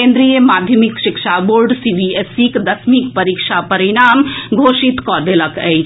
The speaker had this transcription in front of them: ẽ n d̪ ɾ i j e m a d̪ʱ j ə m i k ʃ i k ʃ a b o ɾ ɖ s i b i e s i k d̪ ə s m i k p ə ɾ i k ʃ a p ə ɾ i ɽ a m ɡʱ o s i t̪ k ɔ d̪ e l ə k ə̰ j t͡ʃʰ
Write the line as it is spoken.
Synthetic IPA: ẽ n d̪ ɾ i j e m a d̪ʱ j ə m i k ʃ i k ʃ a b o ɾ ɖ s i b i e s i k d̪ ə s m i k p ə ɾ i k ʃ a p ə ɾ i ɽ a m ɡʱ o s i t̪ k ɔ d̪ e l ə k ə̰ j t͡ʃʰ